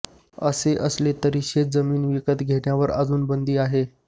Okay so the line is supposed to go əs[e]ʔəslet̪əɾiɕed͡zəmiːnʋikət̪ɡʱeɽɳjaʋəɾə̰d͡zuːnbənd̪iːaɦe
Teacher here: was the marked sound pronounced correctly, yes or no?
yes